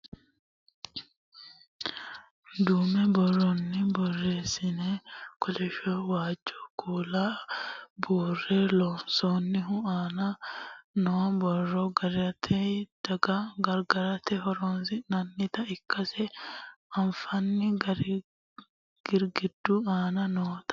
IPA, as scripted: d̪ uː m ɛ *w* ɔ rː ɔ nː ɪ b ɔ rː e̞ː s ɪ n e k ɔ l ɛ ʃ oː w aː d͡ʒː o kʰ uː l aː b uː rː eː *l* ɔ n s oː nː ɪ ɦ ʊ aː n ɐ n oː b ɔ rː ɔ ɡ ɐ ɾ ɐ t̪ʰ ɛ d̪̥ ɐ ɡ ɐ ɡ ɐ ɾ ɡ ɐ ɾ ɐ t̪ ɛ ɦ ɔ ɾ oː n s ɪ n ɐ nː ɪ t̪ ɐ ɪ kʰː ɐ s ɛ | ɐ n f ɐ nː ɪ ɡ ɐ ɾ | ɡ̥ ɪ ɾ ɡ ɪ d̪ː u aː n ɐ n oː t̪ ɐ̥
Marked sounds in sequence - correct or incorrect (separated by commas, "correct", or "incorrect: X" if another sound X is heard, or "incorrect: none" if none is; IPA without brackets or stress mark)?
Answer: incorrect: b, correct